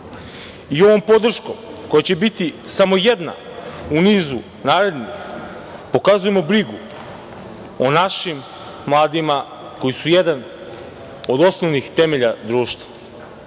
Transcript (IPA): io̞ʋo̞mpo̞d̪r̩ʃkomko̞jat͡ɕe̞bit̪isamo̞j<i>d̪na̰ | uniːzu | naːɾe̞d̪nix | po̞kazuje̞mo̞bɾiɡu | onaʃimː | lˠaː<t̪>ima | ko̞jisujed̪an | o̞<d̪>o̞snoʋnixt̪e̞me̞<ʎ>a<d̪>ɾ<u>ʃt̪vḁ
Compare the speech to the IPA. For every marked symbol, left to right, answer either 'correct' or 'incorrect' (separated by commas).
incorrect, incorrect, correct, correct, correct, incorrect